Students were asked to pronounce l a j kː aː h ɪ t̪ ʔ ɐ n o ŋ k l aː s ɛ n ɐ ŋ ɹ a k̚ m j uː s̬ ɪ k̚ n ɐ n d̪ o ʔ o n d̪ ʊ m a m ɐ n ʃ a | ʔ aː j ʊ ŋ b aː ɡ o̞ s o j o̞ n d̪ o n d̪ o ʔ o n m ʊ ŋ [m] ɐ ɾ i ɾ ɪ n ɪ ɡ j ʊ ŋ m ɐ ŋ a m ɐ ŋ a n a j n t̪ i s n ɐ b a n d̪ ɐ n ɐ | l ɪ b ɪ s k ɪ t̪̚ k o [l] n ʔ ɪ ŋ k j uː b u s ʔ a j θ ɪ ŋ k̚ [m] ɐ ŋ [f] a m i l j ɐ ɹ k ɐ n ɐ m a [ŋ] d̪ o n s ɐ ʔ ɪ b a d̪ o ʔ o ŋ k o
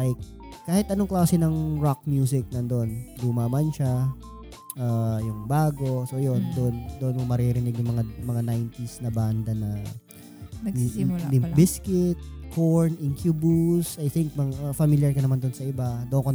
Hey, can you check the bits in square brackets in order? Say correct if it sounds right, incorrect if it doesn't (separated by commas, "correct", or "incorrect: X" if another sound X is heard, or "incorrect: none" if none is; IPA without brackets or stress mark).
correct, incorrect: ɹ, correct, correct, incorrect: n